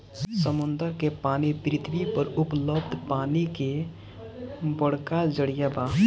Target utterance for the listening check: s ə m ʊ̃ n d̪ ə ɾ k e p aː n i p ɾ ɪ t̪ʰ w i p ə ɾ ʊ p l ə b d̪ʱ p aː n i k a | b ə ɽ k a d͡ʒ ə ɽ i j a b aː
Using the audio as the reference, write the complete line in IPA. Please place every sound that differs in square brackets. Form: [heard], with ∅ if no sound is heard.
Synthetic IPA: s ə m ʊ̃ n d̪ ə ɾ k e p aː n i p ɾ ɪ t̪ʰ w i p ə ɾ ʊ p l ə b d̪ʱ p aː n i k [e] | b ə ɽ k a d͡ʒ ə ɽ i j a b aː